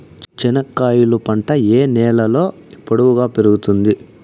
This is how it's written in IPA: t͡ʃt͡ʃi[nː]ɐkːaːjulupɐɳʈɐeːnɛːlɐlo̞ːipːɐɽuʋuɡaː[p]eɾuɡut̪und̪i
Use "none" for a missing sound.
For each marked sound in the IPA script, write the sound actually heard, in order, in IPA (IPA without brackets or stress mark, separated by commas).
n, p